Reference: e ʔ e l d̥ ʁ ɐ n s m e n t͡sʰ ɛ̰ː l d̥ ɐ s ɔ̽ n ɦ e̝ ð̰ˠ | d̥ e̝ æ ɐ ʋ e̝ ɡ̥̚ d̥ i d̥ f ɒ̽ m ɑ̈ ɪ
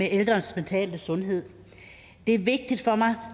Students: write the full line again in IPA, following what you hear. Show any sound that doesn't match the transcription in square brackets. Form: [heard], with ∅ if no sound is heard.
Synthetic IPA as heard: e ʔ e l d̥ ʁ ɐ n s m e n t͡sʰ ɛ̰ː l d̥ [ə] s ɔ̽ n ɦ e̝ ð̰ˠ | d̥ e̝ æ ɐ ʋ e̝ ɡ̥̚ d̥ i d̥ f ɒ̽ m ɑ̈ ɪ